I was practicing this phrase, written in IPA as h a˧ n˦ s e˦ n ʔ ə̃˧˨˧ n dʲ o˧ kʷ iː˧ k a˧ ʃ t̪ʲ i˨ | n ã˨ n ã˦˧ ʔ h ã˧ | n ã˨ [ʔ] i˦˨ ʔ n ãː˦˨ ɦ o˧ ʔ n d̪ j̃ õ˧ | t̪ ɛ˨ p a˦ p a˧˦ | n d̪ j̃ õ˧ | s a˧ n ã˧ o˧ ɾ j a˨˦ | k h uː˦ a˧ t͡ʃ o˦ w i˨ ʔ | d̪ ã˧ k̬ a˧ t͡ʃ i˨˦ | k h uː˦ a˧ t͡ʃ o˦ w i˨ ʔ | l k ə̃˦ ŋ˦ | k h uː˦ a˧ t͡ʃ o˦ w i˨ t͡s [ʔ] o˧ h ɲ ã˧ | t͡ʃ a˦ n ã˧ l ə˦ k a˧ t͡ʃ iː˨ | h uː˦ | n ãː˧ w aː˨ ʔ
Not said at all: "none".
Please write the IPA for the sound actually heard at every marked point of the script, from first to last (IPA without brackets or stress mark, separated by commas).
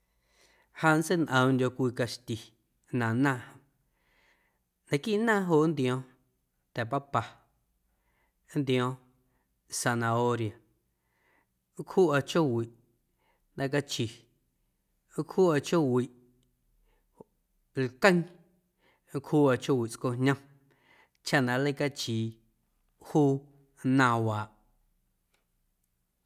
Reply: k, k